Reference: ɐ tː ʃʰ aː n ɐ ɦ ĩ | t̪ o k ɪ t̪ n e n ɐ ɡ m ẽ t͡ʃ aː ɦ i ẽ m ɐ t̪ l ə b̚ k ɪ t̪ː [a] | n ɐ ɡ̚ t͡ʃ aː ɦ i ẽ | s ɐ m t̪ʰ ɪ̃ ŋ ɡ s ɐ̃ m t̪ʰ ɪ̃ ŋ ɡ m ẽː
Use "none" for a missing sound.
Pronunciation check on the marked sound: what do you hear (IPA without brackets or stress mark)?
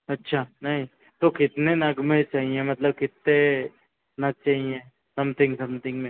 e